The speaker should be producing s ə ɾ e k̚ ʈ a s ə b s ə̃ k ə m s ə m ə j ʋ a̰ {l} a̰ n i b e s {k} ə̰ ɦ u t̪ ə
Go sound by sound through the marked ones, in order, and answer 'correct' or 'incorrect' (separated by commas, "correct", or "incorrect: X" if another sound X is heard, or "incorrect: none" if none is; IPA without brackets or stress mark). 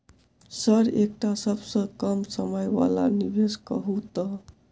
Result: correct, correct